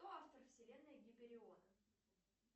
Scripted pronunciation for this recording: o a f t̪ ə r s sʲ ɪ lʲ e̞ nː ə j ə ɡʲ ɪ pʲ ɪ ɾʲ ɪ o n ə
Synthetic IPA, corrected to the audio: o a f t̪ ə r f sʲ ɪ lʲ e̞ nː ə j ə ɡʲ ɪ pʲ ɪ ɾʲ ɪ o n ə